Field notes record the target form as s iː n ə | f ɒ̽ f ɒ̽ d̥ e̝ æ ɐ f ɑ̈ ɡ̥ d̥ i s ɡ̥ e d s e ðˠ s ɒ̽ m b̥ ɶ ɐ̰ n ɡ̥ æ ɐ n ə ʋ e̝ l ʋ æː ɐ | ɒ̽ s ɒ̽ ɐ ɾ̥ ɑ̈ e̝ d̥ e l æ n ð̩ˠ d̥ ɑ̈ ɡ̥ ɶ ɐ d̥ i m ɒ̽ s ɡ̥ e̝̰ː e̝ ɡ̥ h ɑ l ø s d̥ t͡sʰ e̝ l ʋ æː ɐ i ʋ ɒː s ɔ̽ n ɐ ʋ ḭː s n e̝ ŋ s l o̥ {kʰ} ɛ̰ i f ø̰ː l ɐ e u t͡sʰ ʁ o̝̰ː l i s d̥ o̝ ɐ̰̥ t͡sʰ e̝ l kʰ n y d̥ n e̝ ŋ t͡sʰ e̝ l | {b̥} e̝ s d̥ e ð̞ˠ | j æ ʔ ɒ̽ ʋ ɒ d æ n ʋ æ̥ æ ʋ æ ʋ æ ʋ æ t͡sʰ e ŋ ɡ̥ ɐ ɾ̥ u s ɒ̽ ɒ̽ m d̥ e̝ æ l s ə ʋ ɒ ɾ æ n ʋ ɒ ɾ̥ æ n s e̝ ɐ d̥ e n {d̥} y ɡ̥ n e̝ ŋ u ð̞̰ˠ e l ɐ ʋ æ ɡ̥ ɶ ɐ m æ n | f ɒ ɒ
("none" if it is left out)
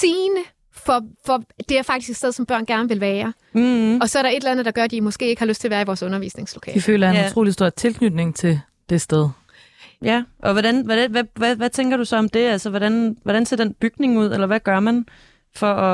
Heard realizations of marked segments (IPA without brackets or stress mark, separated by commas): kʰ, d̥, b̥